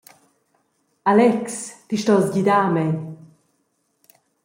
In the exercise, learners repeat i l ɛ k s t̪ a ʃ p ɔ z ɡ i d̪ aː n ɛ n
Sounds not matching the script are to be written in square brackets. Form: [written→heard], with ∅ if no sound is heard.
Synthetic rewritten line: [i→a] l ɛ k s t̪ [a→i] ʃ [p→t] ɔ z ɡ i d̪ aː [n→m] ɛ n